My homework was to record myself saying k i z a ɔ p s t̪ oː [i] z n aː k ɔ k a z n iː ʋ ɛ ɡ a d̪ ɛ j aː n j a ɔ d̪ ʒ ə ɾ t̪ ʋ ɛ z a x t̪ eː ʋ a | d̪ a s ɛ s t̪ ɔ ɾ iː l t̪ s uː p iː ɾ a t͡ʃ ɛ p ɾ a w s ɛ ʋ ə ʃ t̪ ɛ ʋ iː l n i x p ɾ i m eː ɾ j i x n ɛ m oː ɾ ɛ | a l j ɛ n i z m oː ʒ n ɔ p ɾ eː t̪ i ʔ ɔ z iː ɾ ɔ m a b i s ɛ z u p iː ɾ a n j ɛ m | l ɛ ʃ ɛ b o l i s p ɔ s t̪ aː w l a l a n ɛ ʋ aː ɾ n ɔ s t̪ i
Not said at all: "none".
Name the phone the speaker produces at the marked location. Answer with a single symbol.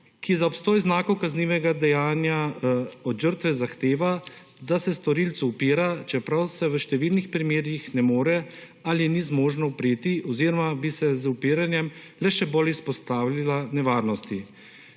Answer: j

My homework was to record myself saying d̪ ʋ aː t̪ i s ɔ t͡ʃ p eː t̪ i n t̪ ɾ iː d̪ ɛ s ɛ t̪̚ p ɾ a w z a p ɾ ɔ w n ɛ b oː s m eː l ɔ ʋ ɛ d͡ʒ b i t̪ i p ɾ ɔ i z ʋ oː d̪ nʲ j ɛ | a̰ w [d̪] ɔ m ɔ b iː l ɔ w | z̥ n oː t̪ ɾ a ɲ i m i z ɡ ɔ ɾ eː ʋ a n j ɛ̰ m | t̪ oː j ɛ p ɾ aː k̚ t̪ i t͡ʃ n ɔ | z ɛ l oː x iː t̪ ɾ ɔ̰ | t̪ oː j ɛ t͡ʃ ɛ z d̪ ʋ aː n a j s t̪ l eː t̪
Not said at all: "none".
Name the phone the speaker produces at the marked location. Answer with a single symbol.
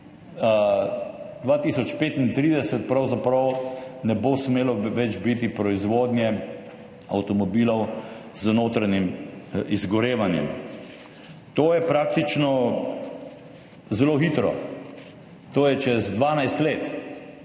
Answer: t̪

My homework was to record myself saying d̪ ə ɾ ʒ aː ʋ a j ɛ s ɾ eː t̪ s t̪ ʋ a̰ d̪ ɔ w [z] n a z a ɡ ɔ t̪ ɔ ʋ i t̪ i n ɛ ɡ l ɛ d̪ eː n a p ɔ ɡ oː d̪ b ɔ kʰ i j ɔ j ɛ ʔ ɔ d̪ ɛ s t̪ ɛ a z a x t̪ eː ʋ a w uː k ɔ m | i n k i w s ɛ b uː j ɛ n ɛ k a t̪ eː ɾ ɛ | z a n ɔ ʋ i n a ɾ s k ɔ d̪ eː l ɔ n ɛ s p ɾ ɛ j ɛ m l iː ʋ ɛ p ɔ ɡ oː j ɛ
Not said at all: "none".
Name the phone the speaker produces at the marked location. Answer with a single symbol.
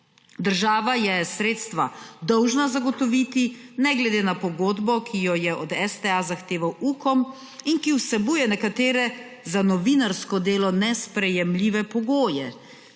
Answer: ʒ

